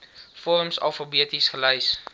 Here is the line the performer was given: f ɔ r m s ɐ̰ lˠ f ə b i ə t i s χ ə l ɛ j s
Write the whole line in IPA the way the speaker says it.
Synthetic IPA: f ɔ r m s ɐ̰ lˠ f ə b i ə t i s χ ə l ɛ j s

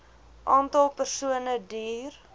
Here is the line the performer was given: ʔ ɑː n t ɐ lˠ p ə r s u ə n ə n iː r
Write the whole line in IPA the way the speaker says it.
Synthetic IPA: ʔ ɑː n t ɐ lˠ p ə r s u ə n ə d iː r

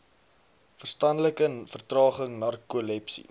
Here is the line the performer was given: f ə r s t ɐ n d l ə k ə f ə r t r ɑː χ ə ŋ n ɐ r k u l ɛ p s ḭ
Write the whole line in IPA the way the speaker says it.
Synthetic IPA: f ə r s t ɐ n d l ə k ə f ə r t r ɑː χ ə ŋ n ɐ r k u l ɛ p s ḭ

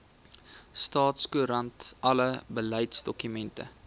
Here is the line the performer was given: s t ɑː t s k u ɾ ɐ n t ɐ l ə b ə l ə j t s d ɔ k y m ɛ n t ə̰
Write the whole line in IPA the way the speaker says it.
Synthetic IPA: s t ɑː t s k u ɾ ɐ n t ɐ l ə b ə l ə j t s d ɔ k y m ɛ n t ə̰

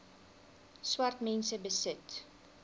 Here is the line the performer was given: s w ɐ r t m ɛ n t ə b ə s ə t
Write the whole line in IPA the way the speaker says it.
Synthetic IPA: s w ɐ r t m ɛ n s ə b ə s ə t

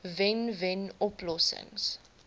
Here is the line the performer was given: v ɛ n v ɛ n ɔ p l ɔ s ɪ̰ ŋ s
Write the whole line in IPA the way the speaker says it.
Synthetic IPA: v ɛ n v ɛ n ɔ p l ɔ s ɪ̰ ŋ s

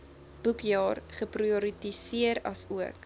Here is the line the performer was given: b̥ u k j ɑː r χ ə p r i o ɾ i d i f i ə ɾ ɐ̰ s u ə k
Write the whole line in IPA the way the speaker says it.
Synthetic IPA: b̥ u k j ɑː r χ ə p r i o ɾ i t i s i ə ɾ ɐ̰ s u ə k

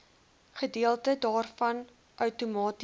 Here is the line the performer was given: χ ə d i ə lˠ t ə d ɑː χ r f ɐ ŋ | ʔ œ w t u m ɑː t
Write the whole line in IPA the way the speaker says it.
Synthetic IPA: χ ə d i ə lˠ t ə d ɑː r f ɐ n | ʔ œ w t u m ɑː t

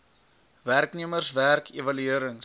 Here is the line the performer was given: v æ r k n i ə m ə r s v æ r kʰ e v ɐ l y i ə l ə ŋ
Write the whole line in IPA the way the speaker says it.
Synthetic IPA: v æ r k n i ə m ə r s v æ r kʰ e v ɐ l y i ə ɾ ə ŋ

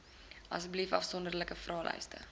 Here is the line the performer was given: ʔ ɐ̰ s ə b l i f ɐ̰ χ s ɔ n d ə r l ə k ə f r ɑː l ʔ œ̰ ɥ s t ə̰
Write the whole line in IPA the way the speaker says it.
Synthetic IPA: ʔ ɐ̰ s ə b l i f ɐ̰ f s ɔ n d ə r l ə k ə f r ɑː l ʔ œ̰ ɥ s t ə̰

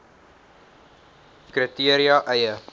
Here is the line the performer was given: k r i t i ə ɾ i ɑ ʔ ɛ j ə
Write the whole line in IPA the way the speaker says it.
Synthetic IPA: k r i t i ə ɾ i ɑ ʔ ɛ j ə

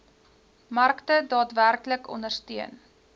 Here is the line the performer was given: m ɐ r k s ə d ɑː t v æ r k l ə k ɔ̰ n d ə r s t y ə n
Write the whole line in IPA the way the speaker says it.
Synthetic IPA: m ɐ r k t ə d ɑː t v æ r k l ə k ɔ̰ n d ə r s t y ə n

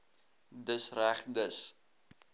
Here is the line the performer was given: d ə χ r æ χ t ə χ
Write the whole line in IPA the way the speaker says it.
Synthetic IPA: d ə s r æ χ d ə s

